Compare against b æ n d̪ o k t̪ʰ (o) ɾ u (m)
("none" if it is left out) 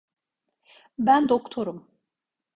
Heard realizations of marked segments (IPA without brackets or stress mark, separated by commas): o, m